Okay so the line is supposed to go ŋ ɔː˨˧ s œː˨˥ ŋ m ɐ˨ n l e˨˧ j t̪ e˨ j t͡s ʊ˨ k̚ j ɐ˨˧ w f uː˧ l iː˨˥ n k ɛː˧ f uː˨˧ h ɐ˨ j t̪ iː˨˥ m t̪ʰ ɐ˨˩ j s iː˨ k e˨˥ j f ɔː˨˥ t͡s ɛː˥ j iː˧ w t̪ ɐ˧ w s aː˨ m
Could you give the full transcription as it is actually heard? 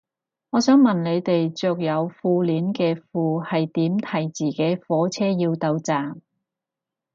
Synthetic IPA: ŋ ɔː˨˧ s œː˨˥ ŋ m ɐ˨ n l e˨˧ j t̪ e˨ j t͡s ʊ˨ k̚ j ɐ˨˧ w f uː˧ l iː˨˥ n k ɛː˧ f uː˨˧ h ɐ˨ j t̪ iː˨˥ m t̪ʰ ɐ˨˩ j t͡s iː˨ k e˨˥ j f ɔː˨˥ t͡sʰ ɛː˥ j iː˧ w t̪ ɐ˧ w t͡s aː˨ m